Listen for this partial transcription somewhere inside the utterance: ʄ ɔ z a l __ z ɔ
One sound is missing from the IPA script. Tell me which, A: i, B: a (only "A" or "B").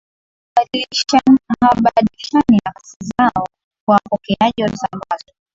B